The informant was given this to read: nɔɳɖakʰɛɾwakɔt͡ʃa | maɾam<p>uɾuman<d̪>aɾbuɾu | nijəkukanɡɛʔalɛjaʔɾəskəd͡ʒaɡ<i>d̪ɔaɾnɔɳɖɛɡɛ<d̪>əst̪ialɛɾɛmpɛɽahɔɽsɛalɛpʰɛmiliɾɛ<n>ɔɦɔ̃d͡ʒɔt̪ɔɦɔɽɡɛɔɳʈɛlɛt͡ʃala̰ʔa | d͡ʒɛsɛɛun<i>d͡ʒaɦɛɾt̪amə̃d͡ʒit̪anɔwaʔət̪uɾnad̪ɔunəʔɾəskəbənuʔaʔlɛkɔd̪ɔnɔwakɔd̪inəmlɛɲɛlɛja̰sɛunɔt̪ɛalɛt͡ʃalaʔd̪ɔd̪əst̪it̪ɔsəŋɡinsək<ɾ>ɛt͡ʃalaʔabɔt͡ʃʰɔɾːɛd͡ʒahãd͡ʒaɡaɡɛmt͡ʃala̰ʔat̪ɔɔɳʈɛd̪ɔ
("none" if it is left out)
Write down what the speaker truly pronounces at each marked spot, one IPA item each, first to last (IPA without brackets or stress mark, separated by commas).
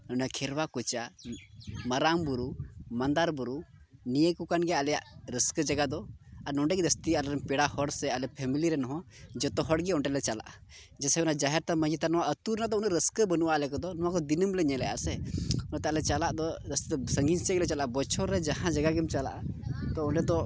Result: b, d̪, a, d̪, n, a, l